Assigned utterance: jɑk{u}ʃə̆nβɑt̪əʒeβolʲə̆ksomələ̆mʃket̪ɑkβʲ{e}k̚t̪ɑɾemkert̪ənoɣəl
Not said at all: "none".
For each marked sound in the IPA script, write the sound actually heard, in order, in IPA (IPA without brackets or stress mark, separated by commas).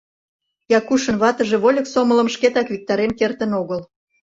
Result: u, i